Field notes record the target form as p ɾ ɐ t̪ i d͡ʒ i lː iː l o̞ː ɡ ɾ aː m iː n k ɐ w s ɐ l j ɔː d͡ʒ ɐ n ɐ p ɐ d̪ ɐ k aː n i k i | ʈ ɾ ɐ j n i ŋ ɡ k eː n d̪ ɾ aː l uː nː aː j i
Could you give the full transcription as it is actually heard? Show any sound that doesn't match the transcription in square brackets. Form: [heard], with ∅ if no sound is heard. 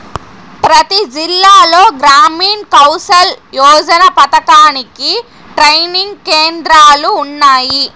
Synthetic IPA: p ɾ ɐ t̪ i d͡ʒ i lː [aː] l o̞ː ɡ ɾ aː m iː n k ɐ w s ɐ l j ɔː d͡ʒ ɐ n ɐ p ɐ [t̪] ɐ k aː n i k i | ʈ ɾ ɐ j n i ŋ ɡ k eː n d̪ ɾ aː l uː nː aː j i